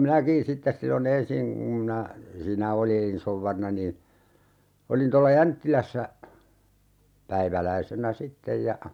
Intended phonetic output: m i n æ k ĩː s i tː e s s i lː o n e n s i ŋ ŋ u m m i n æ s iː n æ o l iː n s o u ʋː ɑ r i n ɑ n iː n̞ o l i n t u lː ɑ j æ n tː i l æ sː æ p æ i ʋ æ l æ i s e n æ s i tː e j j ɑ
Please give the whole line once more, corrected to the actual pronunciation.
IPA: m i n æ k ĩː s i tː e s s i lː o n e n s i ŋ ŋ u m m i n æ s iː n æ o l iː n s o u ʋː ɑ r i n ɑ n iː n̞ o l i n t o lː ɑ j æ n tː i l æ sː æ p æ i ʋ æ l æ i s e n æ s i tː e j j ɑ